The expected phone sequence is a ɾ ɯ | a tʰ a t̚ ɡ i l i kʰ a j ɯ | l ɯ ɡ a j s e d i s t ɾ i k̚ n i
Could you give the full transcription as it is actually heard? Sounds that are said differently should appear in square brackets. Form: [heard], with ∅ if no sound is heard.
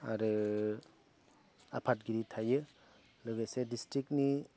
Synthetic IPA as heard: a ɾ ɯ | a [pʰ] a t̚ ɡ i [ɾ] i [tʰ] a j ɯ | l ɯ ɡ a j s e d i s t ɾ i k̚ n i